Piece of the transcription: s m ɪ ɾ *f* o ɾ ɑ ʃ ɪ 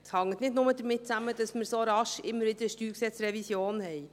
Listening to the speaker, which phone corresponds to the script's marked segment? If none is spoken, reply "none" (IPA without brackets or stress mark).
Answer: s